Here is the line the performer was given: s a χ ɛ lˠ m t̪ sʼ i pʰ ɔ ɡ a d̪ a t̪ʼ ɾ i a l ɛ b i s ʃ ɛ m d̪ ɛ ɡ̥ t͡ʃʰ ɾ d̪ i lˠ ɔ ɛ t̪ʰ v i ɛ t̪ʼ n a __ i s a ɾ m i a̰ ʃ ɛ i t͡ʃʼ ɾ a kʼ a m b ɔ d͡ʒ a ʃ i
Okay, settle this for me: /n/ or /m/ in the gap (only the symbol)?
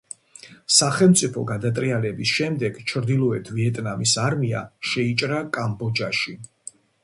m